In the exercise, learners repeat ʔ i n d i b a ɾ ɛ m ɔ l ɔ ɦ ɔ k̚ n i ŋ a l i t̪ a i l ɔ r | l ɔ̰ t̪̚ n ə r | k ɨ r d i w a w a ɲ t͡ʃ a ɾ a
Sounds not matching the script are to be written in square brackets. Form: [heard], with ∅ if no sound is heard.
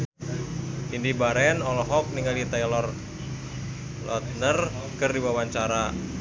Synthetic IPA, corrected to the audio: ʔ i n d i b a ɾ ɛ [n] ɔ l ɔ ɦ ɔ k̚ n i ŋ a l i t̪ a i l ɔ r | l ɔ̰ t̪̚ n ə r | k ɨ r d i w a w a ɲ t͡ʃ a ɾ a